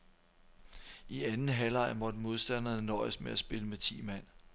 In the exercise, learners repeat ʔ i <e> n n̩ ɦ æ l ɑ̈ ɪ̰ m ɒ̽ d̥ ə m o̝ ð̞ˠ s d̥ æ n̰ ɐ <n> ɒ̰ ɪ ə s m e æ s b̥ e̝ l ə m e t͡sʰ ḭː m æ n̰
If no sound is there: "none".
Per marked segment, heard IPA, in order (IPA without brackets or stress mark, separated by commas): æ, n